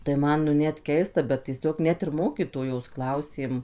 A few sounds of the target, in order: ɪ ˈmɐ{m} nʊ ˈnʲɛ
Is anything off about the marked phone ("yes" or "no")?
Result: yes